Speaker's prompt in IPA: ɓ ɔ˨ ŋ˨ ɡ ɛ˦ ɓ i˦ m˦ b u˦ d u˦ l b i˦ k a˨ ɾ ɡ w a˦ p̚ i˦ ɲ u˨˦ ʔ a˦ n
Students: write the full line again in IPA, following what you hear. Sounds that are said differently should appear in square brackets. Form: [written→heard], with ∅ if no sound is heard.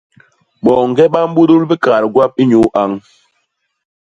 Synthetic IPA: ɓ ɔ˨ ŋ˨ ɡ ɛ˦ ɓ [i˦→a˦] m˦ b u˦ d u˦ l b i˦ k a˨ ɾ ɡ w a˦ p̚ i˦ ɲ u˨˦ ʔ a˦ [n→ŋ]

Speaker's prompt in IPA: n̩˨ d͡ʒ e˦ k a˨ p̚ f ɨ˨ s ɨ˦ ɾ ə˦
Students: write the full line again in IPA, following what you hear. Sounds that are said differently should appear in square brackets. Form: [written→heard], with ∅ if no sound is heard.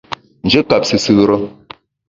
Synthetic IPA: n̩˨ d͡ʒ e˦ k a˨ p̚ [f→s] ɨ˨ s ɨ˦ ɾ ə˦

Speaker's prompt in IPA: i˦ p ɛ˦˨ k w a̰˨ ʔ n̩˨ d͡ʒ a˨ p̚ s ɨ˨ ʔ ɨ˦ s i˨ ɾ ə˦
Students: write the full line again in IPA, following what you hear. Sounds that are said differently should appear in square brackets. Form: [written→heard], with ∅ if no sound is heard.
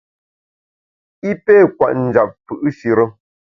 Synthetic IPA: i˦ p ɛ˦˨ k w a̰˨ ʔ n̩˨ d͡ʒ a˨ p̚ [s→f] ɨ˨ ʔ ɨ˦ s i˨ ɾ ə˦

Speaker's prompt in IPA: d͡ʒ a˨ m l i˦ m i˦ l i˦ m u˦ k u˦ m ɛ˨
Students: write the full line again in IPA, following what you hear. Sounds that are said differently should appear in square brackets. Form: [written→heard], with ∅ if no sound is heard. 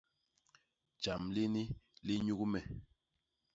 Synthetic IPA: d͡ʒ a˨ m l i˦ [m→n] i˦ l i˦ [m→ɲ] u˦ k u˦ m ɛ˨

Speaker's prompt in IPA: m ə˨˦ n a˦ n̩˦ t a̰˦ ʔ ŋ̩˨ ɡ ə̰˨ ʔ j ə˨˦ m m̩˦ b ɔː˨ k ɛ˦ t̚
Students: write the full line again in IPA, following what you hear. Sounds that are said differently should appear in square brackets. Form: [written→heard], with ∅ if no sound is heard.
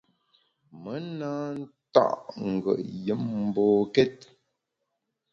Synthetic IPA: m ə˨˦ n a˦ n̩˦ t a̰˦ ʔ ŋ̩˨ ɡ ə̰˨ ʔ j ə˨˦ m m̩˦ b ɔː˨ k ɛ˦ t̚

